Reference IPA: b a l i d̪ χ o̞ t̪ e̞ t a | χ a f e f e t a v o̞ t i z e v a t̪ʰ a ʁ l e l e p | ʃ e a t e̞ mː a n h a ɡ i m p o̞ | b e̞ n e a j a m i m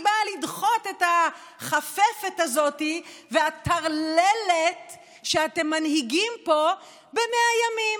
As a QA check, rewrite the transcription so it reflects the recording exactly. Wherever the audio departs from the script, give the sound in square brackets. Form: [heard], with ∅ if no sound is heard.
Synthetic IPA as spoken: b a l i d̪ χ o̞ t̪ e̞ t a | χ a f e f e t a [z] o̞ t i [v] e [∅] a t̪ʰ a ʁ l e l e [t] | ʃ e a t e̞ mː a n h [i] ɡ i m p o̞ | b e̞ [m] e a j a m i m